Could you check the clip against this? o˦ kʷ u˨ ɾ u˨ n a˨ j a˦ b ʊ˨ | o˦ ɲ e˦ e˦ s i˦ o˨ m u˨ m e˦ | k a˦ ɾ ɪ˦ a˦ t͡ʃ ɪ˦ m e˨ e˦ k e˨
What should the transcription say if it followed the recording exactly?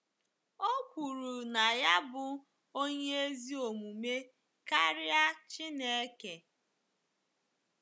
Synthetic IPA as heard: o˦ kʷ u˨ ɾ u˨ n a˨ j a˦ b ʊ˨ | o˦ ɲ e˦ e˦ z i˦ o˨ m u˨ m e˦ | k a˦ ɾ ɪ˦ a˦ t͡ʃ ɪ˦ n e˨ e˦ k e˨